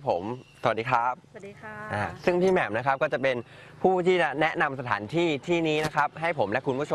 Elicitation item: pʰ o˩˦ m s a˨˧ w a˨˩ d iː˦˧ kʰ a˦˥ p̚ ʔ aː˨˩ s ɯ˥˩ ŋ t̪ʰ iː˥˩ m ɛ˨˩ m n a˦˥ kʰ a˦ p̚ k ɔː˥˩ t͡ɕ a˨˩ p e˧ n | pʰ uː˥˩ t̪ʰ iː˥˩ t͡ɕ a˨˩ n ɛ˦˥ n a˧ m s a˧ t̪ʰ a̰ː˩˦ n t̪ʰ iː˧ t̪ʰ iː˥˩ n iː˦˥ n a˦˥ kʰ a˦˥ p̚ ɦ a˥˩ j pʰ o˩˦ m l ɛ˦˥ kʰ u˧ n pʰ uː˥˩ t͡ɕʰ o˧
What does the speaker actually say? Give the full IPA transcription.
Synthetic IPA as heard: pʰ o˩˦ m s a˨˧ w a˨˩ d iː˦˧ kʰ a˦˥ p̚ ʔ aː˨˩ s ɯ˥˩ ŋ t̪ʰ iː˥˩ m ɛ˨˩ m n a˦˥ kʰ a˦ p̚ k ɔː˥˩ t͡ɕ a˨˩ p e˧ n | pʰ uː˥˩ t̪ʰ iː˥˩ t͡ɕ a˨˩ n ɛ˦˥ n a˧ m s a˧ t̪ʰ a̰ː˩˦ n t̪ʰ iː˥˩ t̪ʰ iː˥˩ n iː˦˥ n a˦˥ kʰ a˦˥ p̚ ɦ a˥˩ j pʰ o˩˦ m l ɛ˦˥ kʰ u˧ n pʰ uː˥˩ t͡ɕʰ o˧

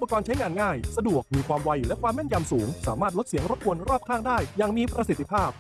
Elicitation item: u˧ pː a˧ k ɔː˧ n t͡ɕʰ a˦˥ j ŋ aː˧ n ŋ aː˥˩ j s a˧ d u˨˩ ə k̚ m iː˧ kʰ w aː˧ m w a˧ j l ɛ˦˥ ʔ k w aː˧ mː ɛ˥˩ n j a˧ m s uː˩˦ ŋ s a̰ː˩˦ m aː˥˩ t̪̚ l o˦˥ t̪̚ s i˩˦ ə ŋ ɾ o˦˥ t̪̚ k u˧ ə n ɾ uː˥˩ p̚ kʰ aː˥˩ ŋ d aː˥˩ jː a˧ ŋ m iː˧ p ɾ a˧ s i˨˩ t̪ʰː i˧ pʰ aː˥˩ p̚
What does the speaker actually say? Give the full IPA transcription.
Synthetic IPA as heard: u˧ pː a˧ k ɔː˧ n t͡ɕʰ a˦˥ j ŋ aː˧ n ŋ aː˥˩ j s a˧ d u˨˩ ə k̚ m iː˧ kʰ w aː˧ m w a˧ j l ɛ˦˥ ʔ k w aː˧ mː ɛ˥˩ n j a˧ m s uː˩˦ ŋ s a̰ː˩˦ m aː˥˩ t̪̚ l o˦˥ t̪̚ s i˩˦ ə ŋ ɾ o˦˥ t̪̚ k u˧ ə n ɾ ɔː˥˩ p̚ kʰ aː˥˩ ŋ d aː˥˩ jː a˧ ŋ m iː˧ p ɾ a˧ s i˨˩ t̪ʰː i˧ pʰ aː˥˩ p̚

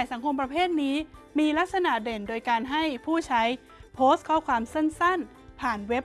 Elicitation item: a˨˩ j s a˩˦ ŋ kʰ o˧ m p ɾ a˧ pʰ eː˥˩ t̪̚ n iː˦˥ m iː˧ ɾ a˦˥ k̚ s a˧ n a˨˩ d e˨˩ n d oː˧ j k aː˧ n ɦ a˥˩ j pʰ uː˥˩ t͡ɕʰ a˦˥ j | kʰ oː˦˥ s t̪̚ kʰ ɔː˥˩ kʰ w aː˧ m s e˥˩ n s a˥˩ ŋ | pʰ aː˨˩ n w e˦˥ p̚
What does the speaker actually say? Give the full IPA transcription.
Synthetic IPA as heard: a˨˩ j s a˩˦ ŋ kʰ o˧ m p ɾ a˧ pʰ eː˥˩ t̪̚ n iː˦˥ m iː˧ l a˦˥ k̚ s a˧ n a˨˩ d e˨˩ n d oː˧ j k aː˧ n ɦ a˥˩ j pʰ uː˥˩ t͡ɕʰ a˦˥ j | pʰ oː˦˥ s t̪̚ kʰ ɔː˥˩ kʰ w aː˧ m s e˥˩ n s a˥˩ n | pʰ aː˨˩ n w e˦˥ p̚

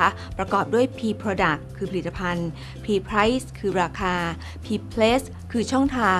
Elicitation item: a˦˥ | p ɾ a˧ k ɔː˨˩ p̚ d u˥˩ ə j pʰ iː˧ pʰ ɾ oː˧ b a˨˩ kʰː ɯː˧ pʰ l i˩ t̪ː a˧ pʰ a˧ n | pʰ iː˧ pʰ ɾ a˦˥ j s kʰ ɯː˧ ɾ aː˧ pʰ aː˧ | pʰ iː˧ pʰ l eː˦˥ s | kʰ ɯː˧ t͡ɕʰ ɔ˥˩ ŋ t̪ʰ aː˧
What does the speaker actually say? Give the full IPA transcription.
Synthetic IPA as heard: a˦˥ | p ɾ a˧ k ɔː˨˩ p̚ d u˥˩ ə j pʰ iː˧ pʰ ɾ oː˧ d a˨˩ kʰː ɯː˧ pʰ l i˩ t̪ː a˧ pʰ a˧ n | pʰ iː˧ pʰ ɾ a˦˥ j s kʰ ɯː˧ ɾ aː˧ kʰ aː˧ | pʰ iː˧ pʰ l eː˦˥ s | kʰ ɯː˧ t͡ɕʰ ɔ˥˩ ŋ t̪ʰ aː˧

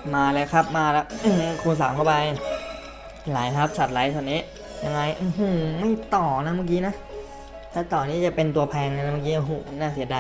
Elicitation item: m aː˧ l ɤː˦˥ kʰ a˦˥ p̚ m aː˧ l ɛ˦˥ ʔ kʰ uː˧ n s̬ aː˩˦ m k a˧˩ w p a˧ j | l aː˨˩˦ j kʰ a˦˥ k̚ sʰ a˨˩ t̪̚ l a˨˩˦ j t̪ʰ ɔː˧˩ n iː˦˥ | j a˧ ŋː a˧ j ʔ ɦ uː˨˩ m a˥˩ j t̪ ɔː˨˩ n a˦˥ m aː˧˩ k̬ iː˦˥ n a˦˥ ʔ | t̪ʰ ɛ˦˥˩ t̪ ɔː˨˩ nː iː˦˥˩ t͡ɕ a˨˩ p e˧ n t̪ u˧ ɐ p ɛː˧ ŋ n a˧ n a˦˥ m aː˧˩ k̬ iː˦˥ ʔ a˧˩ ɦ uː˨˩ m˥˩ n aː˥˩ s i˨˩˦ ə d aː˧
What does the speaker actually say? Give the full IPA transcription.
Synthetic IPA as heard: m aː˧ l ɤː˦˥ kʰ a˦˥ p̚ m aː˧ l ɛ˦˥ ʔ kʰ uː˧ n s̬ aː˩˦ m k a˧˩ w p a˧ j | l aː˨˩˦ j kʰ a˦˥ p̚ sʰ a˨˩ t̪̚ l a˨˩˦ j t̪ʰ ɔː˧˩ n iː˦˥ | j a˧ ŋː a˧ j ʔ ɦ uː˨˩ m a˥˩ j t̪ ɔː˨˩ n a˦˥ m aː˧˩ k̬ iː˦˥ n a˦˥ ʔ | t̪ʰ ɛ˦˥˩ t̪ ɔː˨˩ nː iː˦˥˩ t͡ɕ a˨˩ p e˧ n t̪ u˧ ɐ pʰ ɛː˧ ŋ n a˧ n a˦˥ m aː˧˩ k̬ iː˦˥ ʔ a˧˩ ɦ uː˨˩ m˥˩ n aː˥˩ s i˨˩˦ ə d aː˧

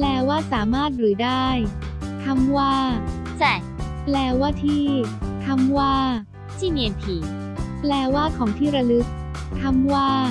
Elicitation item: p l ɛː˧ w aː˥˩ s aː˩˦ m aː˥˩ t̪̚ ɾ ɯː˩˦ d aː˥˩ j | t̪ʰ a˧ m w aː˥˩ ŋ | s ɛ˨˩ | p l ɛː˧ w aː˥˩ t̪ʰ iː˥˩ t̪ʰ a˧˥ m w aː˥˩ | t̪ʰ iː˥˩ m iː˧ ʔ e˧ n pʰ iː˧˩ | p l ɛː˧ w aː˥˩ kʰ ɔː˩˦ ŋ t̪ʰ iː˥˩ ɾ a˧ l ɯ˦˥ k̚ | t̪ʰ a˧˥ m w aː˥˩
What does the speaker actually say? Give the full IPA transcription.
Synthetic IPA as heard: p l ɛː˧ w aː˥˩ s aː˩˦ m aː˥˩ t̪̚ ɾ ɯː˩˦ d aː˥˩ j | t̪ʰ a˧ m w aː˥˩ | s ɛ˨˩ | p l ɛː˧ w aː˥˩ t̪ʰ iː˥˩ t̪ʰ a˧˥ m w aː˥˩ | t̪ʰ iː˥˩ m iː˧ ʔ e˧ n pʰ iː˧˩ | p l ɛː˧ w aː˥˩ kʰ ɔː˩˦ ŋ t̪ʰ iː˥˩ ɾ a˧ l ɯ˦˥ k̚ | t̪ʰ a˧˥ m w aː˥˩

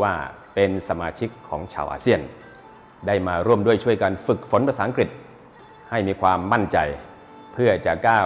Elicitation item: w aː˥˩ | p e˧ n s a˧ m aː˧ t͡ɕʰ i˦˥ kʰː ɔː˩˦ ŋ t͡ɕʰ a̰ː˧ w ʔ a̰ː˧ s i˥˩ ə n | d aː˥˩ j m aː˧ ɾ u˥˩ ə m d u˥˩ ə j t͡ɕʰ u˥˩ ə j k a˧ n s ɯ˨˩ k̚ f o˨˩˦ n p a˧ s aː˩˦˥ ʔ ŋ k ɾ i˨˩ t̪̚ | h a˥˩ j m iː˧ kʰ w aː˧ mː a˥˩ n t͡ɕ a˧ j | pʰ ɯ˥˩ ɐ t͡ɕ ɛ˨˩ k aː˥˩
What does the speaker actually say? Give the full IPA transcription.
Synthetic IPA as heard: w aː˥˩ | p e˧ n s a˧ m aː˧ t͡ɕʰ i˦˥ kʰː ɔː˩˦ ŋ t͡ɕʰ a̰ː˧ w ʔ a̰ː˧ s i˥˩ ə n | d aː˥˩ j m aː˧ ɾ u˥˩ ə m d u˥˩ ə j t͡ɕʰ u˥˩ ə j k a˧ n f ɯ˨˩ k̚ f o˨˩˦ n p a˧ s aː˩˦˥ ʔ ŋ k ɾ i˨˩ t̪̚ | h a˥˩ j m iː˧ kʰ w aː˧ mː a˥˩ n t͡ɕ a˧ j | pʰ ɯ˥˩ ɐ t͡ɕ a˨˩ k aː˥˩

